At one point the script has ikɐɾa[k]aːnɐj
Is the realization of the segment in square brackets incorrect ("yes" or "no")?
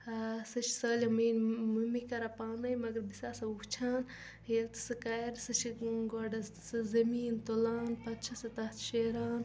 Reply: yes